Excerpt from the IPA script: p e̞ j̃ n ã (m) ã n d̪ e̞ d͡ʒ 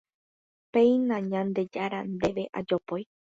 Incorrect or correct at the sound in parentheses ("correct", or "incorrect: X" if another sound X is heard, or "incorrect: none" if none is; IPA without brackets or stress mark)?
incorrect: ɲ